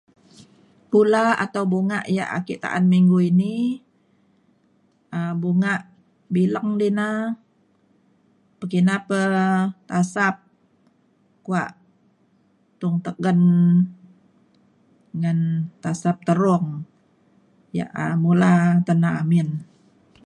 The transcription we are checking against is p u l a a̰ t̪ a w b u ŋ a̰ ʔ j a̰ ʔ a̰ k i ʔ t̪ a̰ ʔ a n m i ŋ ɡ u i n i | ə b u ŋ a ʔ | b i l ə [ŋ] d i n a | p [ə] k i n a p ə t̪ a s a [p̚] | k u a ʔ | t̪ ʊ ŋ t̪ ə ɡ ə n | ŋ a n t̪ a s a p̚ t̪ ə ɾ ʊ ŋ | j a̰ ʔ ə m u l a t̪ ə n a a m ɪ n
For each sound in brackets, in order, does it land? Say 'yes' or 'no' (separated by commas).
yes, yes, yes